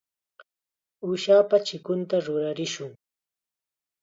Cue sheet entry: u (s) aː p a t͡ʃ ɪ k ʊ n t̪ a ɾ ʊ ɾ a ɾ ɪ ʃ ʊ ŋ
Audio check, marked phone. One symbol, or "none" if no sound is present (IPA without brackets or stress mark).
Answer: ʃ